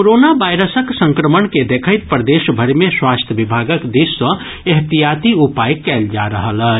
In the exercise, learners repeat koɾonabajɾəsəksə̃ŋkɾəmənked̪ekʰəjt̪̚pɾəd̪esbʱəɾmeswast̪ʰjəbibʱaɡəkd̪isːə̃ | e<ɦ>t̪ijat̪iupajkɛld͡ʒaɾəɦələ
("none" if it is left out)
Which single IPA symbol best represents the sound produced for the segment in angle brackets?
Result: ɦ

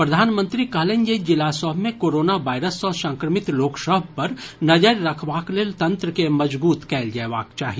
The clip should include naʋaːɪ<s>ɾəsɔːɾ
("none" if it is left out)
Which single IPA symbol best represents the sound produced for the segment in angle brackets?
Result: none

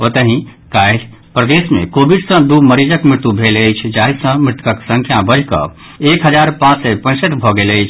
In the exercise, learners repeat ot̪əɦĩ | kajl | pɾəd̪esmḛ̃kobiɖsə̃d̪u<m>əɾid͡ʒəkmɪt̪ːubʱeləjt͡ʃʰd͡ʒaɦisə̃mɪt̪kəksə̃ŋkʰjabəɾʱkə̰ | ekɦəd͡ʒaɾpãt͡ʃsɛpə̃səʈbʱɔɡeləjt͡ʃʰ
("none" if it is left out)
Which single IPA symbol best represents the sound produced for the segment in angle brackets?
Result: m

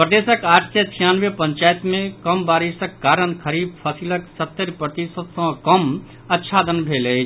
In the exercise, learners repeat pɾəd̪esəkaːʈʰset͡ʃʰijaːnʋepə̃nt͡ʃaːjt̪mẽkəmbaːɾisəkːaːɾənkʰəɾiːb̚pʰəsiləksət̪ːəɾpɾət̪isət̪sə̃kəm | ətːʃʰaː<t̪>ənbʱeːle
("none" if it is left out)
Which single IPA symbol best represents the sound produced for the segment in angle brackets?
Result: d̪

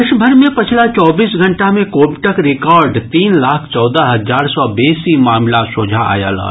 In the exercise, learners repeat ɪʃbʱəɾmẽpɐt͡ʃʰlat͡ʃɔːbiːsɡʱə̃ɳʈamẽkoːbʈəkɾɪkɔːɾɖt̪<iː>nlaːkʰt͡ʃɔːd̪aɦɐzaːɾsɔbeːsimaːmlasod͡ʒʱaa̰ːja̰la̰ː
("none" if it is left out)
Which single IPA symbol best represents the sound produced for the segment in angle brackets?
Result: iː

